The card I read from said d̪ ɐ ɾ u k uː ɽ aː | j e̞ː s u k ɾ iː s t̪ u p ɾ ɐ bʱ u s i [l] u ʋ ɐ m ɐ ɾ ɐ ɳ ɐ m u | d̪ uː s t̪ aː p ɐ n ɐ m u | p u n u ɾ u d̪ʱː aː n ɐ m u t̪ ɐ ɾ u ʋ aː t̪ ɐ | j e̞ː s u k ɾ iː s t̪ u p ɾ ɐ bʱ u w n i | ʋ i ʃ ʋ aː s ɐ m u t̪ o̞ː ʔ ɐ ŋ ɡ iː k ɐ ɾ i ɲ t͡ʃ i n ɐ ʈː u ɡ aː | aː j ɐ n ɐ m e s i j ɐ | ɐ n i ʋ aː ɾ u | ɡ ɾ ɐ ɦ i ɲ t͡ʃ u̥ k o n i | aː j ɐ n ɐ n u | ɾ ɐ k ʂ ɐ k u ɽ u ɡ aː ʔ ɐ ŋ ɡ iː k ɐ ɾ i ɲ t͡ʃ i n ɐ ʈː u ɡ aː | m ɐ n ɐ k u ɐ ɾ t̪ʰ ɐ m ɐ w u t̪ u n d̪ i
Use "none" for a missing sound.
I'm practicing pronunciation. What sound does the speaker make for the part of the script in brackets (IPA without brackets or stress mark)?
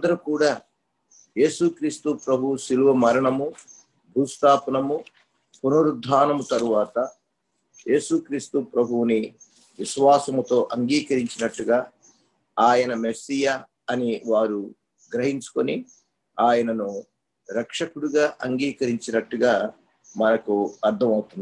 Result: l